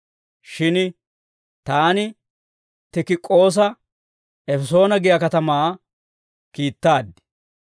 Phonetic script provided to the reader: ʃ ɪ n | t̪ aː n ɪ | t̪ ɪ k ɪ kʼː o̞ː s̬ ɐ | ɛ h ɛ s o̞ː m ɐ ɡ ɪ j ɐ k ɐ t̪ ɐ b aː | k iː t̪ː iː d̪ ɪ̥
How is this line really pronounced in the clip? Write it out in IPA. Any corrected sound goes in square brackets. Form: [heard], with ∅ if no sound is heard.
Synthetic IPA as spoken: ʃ ɪ n | t̪ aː n ɪ | t̪ ɪ k ɪ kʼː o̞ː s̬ ɐ | ɛ [f] ɛ s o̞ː [n] ɐ ɡ ɪ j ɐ k ɐ t̪ ɐ [m] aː | k iː t̪ː [aː] d̪ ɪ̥